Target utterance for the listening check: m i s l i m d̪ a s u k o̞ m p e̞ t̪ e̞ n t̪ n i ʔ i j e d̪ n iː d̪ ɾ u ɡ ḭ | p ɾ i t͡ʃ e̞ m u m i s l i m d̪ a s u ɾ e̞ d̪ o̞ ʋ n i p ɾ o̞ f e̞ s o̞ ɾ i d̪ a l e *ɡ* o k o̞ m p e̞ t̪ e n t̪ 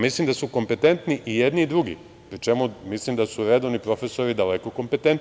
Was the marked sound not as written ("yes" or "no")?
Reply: yes